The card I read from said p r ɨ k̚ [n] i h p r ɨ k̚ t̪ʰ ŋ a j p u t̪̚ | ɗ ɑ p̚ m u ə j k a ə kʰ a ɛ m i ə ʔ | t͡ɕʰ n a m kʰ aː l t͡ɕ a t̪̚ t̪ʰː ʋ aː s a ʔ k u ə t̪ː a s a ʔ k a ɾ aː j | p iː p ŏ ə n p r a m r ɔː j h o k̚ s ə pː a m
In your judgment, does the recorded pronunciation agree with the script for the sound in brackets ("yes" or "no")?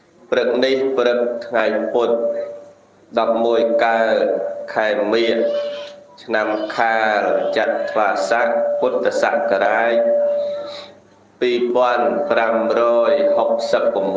yes